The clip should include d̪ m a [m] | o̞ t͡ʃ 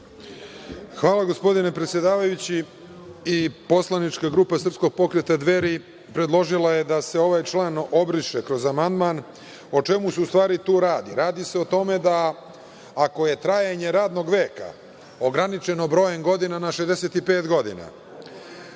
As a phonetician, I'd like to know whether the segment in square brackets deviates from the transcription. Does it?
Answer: yes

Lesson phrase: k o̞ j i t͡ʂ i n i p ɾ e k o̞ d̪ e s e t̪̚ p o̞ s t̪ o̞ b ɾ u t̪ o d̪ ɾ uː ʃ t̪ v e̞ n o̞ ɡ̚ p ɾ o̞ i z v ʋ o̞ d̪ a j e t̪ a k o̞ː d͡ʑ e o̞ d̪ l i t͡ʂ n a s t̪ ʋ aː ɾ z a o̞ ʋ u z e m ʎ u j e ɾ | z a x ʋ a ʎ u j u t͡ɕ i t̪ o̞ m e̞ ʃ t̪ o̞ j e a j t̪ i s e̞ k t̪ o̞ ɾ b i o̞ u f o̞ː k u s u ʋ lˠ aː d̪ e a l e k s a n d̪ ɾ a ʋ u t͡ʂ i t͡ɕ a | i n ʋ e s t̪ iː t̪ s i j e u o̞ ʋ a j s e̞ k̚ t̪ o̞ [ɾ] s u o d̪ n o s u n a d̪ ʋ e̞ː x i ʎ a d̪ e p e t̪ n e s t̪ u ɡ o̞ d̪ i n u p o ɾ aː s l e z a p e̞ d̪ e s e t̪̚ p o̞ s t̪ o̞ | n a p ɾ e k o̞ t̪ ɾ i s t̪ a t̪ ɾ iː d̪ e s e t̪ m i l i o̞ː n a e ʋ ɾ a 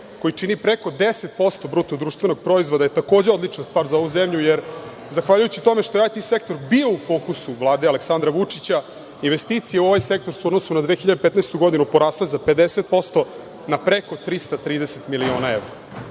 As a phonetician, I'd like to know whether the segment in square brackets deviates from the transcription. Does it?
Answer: no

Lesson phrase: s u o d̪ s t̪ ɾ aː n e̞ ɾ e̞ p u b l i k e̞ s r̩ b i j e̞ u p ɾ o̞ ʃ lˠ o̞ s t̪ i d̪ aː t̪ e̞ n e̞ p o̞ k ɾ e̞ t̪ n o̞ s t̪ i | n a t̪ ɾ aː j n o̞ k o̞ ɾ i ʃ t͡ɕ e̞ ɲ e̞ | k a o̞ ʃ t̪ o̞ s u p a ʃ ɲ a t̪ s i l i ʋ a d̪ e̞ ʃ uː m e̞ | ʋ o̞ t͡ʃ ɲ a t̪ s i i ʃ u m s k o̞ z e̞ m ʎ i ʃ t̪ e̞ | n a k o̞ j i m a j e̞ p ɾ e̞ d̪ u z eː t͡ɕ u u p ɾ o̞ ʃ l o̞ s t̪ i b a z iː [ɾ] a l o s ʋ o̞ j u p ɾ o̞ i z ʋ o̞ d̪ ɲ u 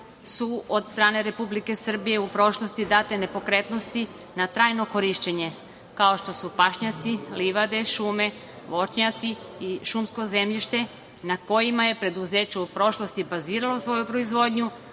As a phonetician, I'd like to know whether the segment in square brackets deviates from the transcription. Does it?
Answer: no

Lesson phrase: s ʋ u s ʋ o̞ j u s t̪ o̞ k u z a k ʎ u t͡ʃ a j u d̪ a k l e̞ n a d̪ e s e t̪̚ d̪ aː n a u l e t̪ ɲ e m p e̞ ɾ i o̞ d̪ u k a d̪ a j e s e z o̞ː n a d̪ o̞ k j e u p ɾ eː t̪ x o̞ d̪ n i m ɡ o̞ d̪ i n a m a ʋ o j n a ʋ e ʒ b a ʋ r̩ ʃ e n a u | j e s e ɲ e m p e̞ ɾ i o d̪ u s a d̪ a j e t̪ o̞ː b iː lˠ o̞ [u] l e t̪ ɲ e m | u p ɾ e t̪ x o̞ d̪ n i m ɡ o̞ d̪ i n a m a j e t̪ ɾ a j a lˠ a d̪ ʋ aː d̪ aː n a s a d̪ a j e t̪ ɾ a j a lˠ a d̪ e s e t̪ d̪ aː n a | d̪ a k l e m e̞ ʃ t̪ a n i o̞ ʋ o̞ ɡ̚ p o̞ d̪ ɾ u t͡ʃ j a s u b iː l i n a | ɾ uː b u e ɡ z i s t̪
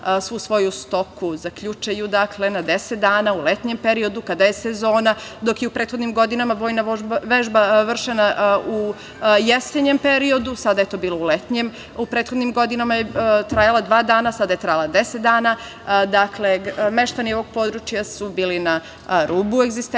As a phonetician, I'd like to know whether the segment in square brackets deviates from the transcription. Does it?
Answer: no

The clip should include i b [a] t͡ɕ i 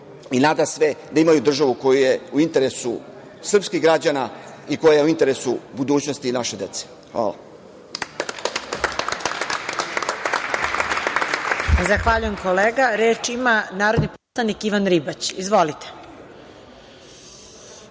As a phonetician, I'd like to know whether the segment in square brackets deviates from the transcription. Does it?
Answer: no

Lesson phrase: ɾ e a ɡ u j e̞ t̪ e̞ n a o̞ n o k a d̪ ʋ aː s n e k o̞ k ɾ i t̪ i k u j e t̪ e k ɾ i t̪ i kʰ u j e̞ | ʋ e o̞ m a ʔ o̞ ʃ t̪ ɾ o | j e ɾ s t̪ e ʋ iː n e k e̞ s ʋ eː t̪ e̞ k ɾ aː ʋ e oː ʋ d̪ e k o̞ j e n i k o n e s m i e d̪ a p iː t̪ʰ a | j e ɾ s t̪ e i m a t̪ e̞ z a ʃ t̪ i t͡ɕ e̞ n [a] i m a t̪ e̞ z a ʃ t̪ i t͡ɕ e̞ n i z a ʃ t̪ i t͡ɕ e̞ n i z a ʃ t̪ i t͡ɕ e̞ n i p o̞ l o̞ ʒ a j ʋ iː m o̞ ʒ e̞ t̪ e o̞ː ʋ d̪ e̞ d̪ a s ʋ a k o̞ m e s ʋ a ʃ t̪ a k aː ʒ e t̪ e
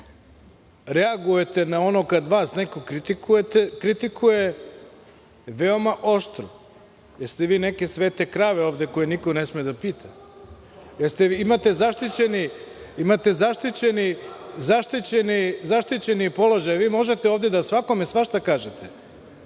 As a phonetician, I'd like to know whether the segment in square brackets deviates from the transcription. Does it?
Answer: yes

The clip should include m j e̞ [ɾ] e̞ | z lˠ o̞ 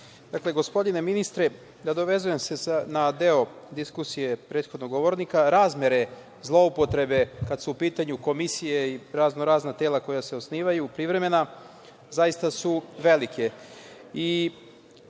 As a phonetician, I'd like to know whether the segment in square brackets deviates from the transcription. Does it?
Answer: no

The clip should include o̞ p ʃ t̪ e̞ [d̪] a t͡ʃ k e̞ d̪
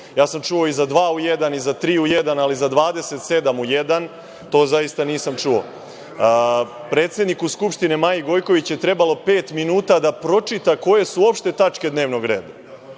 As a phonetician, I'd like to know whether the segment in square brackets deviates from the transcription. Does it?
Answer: yes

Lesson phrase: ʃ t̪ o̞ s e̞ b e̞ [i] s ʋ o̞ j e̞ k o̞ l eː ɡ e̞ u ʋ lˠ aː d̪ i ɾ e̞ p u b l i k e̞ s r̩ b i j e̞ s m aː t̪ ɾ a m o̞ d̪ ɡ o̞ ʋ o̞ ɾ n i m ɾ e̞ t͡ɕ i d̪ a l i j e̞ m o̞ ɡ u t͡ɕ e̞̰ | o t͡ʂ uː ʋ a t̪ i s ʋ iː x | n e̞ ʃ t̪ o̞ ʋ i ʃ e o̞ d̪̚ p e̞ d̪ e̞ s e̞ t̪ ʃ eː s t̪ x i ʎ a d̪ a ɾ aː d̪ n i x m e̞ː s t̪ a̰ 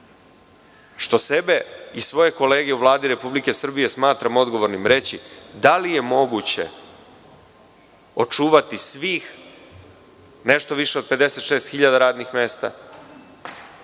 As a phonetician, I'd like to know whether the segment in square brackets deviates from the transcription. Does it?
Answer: no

